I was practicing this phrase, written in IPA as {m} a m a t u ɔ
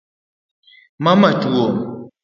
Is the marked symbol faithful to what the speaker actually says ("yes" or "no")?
yes